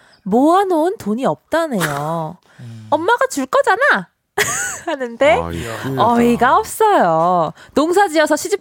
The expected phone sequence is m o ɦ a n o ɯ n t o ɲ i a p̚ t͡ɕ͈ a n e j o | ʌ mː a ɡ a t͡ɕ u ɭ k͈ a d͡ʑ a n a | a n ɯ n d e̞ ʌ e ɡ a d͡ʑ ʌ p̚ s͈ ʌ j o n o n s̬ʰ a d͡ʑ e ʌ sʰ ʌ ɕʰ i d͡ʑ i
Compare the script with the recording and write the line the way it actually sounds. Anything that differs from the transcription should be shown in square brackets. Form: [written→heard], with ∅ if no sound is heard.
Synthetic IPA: m o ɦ a n o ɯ n t o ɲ i [a→ʌ] p̚ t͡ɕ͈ a n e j o | ʌ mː a ɡ a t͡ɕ u ɭ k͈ [a→ʌ] d͡ʑ a n a | a n ɯ n d e̞ ʌ [e→i] ɡ a [d͡ʑ→∅] ʌ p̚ s͈ ʌ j o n o [n→ŋ] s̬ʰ a d͡ʑ [e→i] ʌ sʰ ʌ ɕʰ i d͡ʑ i